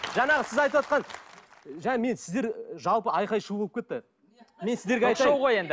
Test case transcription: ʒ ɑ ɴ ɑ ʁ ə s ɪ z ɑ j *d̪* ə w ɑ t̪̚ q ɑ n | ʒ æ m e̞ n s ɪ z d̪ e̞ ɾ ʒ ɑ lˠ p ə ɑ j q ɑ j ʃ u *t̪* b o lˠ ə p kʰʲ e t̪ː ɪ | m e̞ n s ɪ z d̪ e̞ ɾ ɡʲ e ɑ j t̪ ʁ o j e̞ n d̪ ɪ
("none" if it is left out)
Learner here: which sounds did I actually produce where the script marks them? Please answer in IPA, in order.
t̪, none

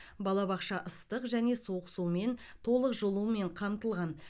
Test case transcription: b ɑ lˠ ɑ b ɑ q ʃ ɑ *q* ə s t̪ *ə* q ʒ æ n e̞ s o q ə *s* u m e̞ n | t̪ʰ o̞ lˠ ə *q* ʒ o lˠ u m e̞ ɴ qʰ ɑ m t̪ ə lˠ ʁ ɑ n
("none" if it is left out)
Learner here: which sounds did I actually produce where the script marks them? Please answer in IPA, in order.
ʔ, ə, s, q

